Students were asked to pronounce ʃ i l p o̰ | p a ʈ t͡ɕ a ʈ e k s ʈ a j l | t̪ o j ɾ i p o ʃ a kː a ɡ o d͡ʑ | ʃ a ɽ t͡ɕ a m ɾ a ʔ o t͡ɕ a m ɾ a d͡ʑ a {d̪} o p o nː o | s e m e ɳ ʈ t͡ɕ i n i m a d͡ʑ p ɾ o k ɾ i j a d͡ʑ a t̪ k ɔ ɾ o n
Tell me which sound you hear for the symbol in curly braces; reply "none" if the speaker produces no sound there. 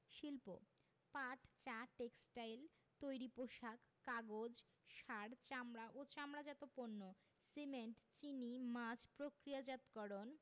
t̪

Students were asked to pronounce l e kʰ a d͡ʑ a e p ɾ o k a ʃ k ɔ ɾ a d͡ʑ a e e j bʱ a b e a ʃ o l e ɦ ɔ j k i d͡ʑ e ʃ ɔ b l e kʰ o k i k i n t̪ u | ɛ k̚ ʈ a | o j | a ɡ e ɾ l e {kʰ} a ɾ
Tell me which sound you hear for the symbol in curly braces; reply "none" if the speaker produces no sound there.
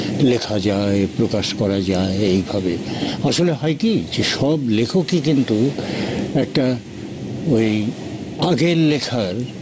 kʰ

